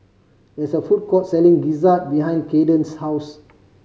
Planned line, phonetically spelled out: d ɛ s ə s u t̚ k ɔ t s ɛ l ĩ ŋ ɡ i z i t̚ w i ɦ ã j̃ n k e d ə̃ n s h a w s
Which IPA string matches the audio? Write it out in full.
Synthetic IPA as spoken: d ɛ s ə f u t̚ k ɔ t s ɛ l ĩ ŋ ɡ i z a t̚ b i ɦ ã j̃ n k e d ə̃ n s h a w s